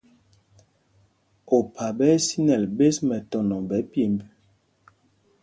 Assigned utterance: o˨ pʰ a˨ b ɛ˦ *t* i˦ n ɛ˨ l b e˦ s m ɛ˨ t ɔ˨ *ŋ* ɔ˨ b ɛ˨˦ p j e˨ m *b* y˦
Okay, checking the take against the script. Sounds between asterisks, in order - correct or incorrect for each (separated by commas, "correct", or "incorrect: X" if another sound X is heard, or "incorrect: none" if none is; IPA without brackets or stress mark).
incorrect: s, incorrect: n, correct